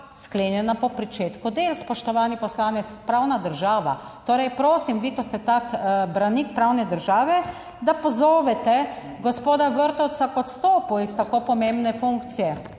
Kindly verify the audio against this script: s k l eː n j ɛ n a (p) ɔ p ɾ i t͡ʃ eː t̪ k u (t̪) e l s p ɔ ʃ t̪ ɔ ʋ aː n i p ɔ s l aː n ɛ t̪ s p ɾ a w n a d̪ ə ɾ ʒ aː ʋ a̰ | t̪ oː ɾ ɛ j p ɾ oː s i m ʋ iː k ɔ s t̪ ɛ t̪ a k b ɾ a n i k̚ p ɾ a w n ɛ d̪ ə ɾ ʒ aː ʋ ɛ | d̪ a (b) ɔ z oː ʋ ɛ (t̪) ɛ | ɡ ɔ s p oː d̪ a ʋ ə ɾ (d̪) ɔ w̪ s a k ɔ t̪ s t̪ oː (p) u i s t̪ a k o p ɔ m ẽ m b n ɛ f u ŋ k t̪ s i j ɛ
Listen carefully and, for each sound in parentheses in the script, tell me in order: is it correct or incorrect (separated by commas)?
correct, incorrect, incorrect, correct, incorrect, correct